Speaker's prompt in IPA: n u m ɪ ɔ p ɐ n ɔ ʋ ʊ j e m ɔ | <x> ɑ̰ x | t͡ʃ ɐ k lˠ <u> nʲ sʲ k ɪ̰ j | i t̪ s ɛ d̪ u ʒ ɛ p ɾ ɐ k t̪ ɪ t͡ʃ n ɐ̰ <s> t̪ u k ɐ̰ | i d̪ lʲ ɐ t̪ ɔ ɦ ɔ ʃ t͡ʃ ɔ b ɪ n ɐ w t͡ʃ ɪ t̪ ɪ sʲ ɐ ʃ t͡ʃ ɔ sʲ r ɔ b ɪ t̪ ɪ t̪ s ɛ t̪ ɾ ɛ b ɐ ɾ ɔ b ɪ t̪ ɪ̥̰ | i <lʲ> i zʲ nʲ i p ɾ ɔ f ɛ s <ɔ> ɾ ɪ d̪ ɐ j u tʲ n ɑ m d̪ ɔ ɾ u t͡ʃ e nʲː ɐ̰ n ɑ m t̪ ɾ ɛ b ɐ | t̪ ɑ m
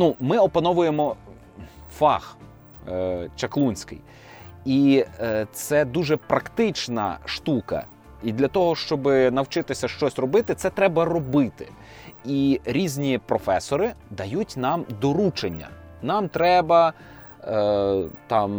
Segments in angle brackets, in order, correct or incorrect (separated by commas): incorrect, correct, incorrect, incorrect, correct